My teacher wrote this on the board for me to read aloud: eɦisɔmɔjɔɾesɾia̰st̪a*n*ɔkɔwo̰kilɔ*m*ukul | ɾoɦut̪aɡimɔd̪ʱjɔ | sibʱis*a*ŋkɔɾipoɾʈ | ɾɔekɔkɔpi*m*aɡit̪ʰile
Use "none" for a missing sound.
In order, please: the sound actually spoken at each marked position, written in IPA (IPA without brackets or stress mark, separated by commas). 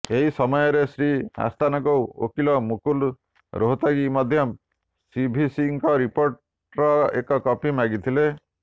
n, m, i, m